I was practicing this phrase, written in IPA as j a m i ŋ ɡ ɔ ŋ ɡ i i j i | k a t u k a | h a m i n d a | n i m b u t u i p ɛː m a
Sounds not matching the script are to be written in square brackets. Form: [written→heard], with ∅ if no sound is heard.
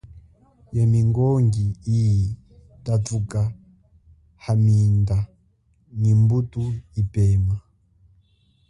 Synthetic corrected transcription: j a m i ŋ ɡ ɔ ŋ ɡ i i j i | [k→t] a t u k a | h a m i n d a | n i m b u t u i p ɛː m a